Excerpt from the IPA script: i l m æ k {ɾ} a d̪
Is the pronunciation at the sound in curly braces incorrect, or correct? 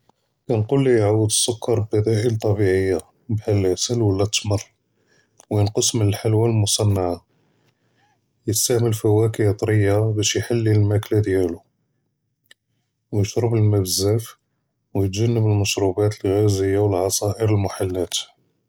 incorrect